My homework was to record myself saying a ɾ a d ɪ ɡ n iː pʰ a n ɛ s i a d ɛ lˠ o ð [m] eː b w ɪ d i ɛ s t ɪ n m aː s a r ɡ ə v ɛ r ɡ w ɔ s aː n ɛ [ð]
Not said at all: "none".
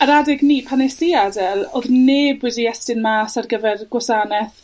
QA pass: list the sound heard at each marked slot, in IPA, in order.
n, θ

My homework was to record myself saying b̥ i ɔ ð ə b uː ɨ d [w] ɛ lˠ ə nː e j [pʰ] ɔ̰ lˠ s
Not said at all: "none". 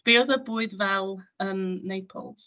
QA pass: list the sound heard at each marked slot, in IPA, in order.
v, pʰ

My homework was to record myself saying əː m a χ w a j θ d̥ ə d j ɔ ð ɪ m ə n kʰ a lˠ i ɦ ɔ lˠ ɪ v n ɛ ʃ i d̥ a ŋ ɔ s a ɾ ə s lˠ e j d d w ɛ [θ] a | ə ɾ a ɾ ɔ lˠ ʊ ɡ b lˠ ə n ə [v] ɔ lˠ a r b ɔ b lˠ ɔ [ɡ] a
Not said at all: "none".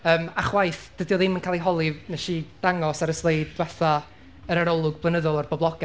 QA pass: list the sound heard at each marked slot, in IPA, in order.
θ, ð, ɡ

